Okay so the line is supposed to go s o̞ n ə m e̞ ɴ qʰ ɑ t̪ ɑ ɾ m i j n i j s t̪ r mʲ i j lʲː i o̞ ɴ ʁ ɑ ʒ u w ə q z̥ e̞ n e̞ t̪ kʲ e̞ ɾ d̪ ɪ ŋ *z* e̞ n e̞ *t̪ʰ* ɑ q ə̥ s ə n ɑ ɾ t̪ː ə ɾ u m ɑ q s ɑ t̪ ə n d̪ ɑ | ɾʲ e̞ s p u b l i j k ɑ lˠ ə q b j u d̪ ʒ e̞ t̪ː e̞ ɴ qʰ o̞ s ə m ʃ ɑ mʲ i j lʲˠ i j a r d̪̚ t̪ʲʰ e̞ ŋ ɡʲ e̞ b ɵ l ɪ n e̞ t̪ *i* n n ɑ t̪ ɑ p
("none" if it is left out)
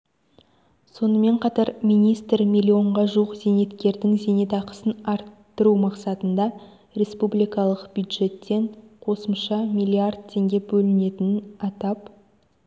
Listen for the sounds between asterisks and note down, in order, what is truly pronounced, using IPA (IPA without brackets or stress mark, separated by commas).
z, t̪, ɪ